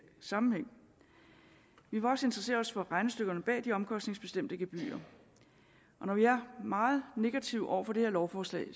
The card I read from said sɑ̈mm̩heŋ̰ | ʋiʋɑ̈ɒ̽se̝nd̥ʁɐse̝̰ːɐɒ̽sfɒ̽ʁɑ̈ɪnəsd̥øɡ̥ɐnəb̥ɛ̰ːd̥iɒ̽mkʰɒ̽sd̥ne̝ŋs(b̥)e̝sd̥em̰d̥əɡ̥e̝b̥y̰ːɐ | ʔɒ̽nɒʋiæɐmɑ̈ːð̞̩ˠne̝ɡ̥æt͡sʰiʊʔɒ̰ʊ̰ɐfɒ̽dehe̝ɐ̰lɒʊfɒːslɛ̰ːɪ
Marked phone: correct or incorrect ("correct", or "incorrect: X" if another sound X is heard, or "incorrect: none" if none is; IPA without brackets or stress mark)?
correct